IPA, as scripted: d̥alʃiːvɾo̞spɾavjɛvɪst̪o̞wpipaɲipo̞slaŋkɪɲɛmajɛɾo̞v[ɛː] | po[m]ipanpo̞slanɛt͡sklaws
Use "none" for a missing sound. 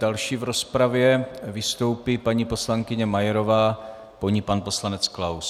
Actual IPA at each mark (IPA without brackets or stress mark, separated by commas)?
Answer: aː, ɲ